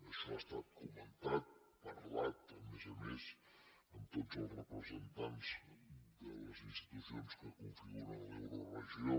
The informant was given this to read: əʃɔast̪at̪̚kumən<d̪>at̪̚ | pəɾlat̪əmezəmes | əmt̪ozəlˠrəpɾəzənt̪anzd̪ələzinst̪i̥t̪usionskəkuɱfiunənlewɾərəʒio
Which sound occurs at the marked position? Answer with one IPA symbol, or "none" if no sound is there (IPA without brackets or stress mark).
t̪